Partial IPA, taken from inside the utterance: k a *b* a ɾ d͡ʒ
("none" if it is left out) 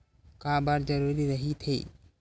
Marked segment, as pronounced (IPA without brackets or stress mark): b